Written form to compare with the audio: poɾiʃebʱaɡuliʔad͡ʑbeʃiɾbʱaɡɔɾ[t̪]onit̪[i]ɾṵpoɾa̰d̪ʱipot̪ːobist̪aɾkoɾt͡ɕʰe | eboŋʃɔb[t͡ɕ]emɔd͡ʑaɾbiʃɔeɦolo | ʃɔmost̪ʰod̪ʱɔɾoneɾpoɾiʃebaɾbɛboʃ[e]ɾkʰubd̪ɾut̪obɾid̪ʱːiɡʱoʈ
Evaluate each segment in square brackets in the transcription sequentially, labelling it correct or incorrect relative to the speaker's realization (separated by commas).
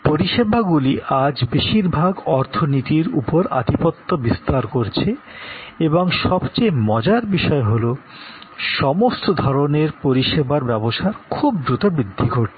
incorrect, correct, correct, incorrect